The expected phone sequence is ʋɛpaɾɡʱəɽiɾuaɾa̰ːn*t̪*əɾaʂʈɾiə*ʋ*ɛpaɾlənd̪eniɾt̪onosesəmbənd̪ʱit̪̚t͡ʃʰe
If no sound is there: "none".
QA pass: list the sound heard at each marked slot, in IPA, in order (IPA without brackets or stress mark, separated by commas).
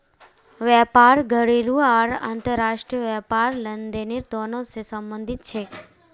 t̪, ʋ